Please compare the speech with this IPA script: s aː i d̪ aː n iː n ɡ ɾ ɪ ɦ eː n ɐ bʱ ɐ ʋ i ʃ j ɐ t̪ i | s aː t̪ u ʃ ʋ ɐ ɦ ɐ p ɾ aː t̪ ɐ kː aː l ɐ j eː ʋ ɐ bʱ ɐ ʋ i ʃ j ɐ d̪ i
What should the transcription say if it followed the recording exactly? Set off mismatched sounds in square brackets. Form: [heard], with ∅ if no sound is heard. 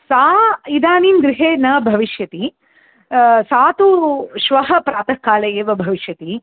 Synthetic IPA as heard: s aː i d̪ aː n iː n ɡ ɾ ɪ ɦ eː n ɐ bʱ ɐ ʋ i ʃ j ɐ t̪ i | s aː t̪ u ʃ ʋ ɐ ɦ ɐ p ɾ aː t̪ ɐ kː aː l ɐ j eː ʋ ɐ bʱ ɐ ʋ i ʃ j ɐ [t̪] i